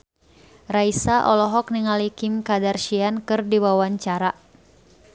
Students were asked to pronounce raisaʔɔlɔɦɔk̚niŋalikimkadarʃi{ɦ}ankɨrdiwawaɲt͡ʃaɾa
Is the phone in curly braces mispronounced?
yes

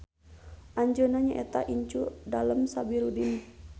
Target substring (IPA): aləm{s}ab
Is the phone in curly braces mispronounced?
no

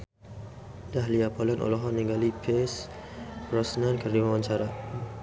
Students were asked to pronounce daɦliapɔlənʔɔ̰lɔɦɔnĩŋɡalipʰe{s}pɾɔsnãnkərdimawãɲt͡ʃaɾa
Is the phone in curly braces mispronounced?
no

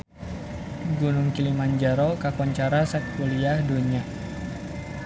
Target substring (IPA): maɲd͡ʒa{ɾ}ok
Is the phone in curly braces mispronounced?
no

